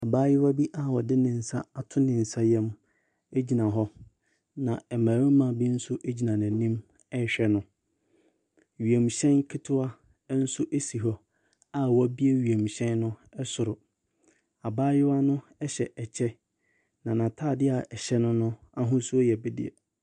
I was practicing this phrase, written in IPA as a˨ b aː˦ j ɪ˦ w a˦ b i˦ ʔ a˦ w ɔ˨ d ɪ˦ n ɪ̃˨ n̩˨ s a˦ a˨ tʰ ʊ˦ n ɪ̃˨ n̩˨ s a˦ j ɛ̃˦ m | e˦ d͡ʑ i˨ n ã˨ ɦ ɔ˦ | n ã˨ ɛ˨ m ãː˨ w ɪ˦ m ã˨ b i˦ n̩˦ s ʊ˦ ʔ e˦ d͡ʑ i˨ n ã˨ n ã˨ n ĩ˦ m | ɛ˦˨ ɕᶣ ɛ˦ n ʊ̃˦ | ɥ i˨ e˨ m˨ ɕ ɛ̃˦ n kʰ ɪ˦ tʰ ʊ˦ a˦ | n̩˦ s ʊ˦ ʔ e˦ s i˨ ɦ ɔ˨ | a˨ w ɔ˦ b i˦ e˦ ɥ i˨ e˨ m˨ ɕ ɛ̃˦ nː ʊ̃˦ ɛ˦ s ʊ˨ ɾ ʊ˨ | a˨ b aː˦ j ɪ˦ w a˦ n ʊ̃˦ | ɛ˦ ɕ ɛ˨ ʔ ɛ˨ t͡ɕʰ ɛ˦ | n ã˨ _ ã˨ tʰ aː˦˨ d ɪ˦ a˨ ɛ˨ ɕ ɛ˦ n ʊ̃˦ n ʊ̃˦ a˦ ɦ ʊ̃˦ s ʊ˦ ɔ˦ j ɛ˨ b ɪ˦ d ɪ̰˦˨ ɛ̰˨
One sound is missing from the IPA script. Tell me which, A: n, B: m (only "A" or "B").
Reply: A